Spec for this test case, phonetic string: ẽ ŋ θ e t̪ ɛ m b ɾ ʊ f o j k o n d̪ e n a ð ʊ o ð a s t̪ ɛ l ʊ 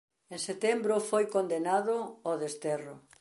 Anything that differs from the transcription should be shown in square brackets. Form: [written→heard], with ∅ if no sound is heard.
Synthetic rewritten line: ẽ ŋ [θ→s] e t̪ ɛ m b ɾ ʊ f o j k o n d̪ e n a ð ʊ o ð [a→e] s t̪ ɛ [l→r] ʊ